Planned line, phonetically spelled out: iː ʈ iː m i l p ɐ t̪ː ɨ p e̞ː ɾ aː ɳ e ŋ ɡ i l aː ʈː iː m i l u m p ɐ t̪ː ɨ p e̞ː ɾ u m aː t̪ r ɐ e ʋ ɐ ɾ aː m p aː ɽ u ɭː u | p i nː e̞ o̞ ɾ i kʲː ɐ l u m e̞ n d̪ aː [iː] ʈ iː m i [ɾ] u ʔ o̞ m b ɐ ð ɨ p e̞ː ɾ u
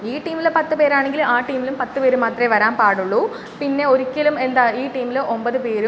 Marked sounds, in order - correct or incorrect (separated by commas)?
correct, incorrect